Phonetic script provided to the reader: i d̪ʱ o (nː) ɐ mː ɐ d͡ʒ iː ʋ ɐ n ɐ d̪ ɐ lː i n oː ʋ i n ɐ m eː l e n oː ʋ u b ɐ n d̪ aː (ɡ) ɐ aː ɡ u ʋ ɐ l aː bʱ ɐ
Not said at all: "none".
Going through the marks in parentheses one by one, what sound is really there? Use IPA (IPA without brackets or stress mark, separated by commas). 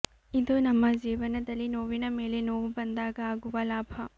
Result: n, ɡ